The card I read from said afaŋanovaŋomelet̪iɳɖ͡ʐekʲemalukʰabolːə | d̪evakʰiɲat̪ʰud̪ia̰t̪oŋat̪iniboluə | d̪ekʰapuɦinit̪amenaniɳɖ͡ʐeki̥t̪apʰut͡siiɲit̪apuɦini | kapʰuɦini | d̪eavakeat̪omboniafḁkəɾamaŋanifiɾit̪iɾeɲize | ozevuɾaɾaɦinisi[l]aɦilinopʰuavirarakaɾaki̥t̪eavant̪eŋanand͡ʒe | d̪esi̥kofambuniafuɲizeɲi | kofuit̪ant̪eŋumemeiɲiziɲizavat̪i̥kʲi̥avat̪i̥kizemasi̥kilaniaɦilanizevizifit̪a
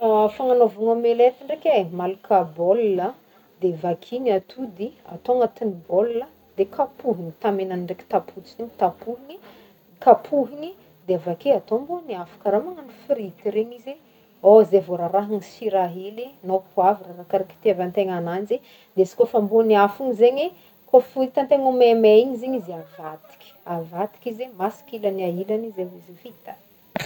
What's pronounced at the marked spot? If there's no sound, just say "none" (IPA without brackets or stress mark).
ɾ